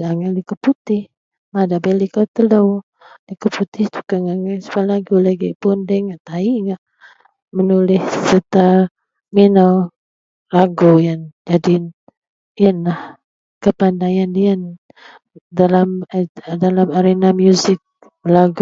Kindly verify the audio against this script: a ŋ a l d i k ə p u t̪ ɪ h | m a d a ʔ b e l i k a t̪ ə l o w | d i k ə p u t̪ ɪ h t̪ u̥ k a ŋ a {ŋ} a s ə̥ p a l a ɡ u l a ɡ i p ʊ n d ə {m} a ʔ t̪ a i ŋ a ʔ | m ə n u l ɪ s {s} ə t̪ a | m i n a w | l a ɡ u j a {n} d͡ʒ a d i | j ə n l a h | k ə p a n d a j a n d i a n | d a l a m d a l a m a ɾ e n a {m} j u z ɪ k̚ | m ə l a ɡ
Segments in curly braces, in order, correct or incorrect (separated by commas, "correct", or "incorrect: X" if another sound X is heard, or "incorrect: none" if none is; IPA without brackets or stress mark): correct, incorrect: ŋ, correct, correct, correct